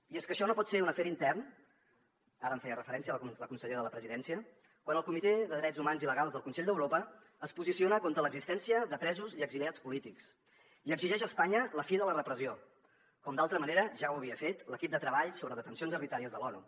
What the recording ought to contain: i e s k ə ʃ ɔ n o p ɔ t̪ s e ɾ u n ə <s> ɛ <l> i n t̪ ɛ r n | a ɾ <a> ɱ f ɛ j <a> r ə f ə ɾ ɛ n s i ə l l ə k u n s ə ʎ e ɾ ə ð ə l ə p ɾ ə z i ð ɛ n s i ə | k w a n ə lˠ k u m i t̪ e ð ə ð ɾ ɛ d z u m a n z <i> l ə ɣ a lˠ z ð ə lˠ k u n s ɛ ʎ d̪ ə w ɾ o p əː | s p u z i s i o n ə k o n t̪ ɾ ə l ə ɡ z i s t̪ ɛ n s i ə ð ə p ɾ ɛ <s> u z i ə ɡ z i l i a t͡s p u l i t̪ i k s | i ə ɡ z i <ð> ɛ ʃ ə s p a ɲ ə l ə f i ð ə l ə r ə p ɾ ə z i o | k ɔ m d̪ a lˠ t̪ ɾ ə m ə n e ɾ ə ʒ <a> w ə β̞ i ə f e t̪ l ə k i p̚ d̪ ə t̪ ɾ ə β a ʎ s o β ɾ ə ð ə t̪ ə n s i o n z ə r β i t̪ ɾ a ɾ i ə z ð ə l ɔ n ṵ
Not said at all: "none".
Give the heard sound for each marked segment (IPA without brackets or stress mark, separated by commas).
f, ɾ, ə, ə, i, z, ʒ, a